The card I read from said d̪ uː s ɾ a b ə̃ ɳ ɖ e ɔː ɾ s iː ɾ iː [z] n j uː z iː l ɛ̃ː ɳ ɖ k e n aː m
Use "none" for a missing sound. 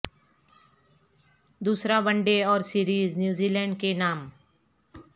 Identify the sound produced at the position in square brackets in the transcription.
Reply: z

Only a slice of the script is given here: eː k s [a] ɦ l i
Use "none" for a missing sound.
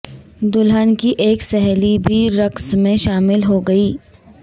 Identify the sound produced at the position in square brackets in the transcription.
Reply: ɛ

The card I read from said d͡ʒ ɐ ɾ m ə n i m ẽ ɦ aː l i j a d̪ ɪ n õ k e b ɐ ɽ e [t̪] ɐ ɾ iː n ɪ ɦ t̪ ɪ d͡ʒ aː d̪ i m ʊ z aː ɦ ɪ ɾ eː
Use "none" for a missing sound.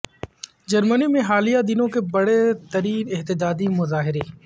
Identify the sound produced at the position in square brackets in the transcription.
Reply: t̪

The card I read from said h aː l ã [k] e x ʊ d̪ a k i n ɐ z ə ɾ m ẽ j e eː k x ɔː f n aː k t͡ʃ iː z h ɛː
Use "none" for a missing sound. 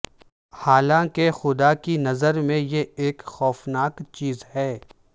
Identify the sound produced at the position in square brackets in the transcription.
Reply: k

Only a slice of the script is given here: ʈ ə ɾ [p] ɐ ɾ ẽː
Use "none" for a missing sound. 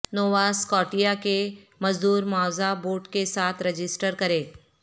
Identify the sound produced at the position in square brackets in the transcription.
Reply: k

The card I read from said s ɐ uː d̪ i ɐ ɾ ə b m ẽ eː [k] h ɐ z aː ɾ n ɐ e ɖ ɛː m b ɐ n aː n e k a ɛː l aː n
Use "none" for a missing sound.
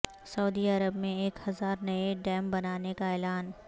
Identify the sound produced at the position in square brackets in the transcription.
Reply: k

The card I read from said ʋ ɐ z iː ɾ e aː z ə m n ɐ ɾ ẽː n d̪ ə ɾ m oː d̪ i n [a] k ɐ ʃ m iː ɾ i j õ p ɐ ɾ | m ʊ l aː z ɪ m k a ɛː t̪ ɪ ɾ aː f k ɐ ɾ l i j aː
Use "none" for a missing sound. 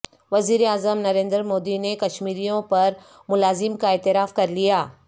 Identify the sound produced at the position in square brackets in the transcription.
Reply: e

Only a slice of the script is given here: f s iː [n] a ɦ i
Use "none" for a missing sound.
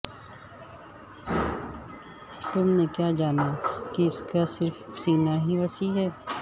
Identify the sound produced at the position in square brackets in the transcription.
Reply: n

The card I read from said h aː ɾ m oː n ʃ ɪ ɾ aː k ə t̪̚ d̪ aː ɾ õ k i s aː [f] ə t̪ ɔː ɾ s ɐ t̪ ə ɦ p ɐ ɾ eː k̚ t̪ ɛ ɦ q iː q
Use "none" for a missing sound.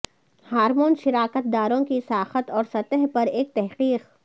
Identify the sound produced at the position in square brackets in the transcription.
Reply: x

